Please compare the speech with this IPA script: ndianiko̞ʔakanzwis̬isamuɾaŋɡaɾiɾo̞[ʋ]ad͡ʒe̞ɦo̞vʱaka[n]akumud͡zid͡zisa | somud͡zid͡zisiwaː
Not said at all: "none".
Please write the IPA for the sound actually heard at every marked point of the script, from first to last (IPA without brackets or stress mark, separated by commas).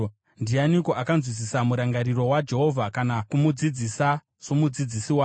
w, n